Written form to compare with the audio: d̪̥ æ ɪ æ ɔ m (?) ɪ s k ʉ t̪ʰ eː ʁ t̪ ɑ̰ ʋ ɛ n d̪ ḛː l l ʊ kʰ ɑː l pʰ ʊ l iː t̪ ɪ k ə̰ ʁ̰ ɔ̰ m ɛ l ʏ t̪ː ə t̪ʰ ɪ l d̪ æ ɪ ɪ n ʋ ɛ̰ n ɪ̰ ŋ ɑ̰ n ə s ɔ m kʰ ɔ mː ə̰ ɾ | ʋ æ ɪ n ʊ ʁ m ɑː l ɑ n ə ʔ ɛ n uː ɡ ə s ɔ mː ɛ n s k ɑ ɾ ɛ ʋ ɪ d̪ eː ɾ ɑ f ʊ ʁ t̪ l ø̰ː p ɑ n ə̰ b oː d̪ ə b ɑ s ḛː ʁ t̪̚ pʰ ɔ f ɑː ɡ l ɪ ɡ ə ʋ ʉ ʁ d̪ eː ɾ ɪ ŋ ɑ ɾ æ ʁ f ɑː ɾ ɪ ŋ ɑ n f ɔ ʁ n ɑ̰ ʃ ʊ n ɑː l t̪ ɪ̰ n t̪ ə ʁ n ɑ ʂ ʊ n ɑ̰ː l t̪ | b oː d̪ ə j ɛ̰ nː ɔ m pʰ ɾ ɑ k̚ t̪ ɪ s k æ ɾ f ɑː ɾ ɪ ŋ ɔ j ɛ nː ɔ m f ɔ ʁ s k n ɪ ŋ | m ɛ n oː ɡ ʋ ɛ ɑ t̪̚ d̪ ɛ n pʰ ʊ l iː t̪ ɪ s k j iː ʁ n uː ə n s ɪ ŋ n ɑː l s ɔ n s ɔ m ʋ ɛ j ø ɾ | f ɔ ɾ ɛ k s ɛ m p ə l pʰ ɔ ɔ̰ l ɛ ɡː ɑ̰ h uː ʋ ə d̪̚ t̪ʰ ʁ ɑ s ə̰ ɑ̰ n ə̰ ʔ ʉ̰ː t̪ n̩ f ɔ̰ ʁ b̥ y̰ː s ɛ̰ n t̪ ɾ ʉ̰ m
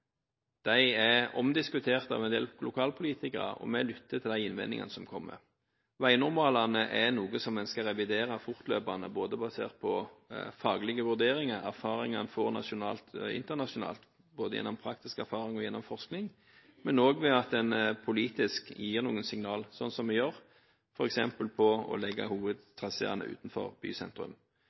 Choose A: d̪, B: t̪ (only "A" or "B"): A